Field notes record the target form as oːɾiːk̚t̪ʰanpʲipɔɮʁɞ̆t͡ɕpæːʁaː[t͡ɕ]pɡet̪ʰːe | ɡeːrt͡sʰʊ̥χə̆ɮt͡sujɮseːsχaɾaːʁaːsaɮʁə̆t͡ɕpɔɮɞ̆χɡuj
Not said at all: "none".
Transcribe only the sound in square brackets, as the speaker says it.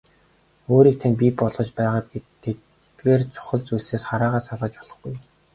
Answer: none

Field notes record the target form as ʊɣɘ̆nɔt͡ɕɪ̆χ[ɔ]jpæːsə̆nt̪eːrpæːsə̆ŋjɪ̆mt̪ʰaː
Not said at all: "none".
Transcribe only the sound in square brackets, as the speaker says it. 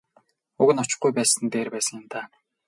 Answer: u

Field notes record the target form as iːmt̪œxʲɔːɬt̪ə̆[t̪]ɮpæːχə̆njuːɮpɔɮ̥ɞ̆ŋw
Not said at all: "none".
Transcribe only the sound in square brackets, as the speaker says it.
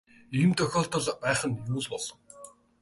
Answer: none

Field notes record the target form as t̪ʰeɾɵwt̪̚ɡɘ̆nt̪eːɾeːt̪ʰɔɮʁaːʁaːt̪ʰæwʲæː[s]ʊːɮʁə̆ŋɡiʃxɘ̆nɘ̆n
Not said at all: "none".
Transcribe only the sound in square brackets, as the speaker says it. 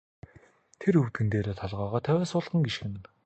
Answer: s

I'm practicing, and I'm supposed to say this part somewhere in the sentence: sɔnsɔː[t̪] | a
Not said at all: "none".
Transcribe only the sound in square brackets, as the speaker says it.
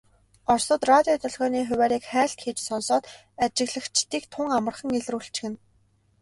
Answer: t̪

